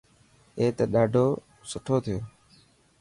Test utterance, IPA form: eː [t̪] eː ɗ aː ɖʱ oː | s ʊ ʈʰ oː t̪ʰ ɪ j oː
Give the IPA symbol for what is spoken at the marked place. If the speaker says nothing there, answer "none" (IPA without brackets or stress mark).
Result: t̪